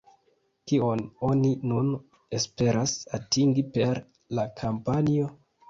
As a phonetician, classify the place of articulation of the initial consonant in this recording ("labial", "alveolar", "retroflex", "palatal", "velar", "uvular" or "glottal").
velar